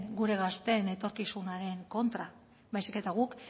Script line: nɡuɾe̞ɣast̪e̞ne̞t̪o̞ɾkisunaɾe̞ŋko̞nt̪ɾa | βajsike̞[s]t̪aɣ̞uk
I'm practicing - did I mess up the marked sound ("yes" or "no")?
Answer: yes